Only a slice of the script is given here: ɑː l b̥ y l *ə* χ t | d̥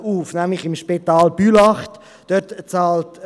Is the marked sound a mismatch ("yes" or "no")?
yes